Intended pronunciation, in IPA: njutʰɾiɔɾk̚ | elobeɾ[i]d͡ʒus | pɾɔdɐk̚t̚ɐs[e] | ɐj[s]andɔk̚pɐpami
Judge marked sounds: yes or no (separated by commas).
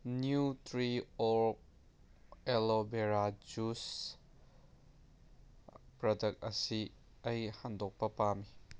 no, no, no